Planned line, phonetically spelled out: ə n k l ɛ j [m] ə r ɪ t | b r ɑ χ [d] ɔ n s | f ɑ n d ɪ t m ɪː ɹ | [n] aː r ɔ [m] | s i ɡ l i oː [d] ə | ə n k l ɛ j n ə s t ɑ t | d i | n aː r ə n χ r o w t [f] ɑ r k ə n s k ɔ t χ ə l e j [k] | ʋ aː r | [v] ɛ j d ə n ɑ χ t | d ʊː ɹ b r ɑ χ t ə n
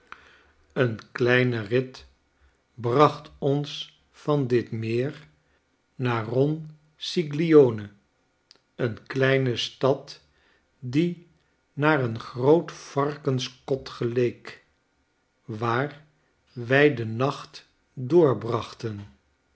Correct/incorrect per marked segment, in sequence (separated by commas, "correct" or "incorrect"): incorrect, incorrect, correct, incorrect, incorrect, correct, correct, incorrect